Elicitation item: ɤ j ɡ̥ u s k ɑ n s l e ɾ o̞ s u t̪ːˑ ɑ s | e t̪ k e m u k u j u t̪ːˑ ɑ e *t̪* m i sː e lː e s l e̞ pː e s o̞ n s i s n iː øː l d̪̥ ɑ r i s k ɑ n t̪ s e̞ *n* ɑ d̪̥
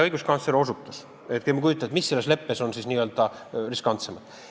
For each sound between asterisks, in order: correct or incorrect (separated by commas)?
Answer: correct, incorrect